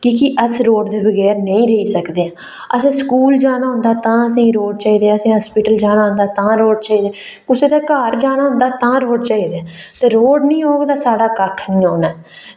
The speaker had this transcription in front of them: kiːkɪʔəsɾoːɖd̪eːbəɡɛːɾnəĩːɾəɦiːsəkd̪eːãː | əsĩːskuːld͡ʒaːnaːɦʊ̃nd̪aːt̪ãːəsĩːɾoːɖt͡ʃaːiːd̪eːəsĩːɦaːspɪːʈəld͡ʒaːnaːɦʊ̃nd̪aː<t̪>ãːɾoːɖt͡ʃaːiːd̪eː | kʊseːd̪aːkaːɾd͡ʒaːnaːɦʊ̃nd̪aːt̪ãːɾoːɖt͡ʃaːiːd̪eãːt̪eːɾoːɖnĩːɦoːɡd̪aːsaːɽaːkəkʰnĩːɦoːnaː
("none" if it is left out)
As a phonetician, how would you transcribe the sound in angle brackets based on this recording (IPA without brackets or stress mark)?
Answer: t̪